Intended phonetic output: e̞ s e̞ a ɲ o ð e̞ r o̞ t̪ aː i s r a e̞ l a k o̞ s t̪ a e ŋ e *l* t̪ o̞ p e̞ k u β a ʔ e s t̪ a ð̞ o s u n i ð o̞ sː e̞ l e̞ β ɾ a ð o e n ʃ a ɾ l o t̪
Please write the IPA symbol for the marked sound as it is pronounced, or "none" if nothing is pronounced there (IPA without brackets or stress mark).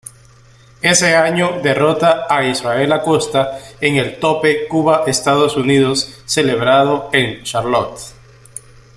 l